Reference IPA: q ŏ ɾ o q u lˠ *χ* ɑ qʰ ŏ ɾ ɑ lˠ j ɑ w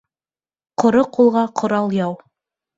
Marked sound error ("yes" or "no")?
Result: yes